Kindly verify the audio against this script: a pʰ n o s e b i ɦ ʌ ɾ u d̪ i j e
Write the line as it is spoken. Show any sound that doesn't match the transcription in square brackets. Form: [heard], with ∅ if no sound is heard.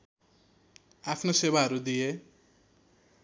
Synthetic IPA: a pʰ n o s e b [a] ɦ ʌ ɾ u d̪ i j e